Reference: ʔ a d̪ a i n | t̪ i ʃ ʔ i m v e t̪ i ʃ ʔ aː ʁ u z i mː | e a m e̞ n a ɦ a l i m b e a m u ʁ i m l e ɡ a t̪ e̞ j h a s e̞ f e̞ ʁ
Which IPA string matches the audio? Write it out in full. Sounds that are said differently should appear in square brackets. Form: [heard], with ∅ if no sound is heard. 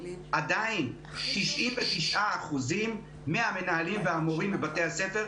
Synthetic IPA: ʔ a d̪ a i n | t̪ i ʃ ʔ i m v e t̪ i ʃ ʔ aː [χ] u z i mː | e a m e̞ n a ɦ a l i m [v] e a m [o] ʁ i m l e [b] a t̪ e̞ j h a s e̞ f e̞ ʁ